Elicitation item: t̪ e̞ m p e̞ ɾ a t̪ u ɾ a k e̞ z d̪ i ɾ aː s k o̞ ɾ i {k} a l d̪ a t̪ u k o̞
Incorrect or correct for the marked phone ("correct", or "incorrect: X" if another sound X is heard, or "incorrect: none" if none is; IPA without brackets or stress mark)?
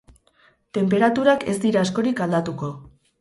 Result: correct